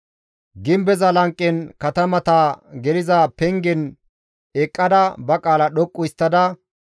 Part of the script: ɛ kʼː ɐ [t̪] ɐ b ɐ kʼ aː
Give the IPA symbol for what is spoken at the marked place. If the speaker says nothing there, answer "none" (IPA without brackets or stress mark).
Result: d̪